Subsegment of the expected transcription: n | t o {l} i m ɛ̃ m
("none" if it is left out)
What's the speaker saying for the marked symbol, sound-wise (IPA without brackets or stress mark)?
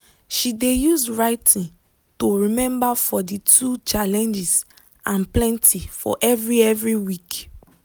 ɹ